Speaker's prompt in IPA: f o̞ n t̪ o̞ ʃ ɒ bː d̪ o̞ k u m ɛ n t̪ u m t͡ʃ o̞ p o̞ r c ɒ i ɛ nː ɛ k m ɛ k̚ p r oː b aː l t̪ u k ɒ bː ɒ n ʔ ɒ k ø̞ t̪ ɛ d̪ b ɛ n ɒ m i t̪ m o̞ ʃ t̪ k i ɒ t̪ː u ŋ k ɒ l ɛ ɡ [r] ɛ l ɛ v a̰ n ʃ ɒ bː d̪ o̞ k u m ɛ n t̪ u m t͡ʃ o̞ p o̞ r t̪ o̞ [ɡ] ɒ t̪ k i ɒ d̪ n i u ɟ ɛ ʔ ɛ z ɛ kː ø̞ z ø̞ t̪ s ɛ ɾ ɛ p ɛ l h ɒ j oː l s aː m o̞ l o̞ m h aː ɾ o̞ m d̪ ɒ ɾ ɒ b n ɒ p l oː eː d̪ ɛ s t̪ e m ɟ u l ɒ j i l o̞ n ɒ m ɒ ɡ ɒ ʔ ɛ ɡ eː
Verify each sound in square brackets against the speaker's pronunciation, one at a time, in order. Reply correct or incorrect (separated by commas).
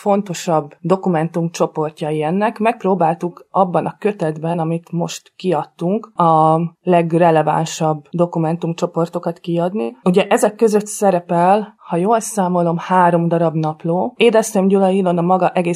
correct, incorrect